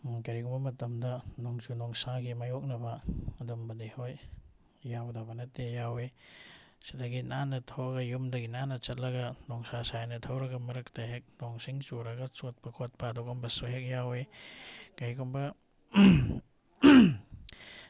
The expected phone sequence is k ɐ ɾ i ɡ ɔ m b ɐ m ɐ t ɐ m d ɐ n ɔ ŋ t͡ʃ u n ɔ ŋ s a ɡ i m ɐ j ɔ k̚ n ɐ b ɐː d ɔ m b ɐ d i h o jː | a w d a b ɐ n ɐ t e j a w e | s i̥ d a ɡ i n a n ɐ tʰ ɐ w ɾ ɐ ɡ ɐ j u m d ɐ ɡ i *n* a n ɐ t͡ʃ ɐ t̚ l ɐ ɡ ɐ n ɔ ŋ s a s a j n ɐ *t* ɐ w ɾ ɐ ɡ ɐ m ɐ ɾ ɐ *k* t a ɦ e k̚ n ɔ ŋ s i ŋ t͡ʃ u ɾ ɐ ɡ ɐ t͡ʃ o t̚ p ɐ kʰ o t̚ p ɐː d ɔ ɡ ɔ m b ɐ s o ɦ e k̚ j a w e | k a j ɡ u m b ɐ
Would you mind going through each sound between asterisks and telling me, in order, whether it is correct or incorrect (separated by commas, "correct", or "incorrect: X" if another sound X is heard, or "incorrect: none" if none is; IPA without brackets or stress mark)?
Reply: correct, incorrect: tʰ, correct